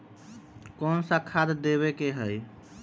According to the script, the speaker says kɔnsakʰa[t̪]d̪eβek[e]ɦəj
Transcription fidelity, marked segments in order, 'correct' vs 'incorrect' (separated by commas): incorrect, correct